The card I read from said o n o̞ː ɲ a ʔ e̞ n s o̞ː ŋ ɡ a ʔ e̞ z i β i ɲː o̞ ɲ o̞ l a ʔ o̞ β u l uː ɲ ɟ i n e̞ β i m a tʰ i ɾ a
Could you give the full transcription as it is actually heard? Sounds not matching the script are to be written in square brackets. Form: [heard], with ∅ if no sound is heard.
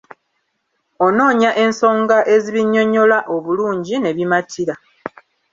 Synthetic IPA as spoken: o n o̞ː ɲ a ʔ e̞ n s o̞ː ŋ ɡ a ʔ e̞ z i β i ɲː o̞ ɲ o̞ l a ʔ o̞ β u l uː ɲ ɟ i n e̞ β i m a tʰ i ɾ a